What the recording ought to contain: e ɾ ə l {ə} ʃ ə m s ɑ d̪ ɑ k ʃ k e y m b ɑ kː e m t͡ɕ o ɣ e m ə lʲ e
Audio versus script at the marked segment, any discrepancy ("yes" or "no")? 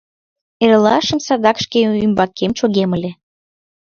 yes